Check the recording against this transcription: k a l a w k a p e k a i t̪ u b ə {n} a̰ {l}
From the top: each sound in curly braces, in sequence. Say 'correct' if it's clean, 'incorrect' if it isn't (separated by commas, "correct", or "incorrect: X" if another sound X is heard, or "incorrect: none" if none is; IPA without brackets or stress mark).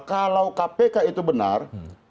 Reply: correct, incorrect: r